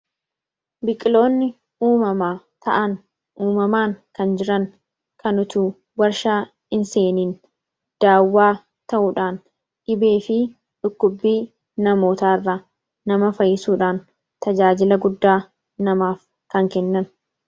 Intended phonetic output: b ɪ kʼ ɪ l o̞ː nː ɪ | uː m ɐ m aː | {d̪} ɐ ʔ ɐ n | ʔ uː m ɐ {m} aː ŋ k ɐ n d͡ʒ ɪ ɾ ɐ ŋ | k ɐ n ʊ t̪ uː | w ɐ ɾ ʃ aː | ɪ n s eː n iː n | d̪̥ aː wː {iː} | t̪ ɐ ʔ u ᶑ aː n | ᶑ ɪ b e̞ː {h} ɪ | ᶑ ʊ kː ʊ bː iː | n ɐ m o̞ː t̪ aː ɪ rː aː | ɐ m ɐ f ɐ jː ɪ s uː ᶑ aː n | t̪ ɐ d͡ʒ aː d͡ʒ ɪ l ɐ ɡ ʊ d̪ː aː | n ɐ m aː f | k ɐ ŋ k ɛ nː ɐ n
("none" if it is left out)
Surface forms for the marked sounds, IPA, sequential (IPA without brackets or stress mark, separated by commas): t̪, m, aː, f